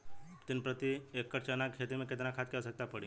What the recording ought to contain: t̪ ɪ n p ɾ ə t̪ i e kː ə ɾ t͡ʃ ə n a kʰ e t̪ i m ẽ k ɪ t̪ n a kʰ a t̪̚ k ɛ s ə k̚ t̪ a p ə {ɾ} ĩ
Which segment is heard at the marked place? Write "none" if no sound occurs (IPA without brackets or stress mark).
ɽ